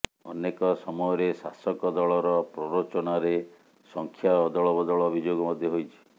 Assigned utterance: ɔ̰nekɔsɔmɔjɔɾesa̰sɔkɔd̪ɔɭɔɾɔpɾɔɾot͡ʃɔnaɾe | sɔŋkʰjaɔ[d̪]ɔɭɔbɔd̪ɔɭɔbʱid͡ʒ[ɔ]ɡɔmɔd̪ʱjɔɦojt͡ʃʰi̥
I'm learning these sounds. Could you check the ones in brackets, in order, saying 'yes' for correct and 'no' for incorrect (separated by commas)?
yes, no